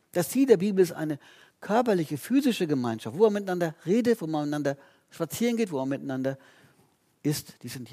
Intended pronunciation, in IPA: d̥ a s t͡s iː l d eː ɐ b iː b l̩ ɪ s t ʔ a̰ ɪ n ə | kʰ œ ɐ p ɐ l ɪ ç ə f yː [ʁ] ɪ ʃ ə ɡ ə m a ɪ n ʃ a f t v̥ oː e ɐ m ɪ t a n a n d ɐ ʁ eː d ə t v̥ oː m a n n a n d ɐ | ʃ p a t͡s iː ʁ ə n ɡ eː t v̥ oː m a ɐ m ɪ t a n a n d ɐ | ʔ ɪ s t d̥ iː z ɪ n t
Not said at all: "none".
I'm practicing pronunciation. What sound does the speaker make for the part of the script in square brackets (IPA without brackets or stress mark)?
z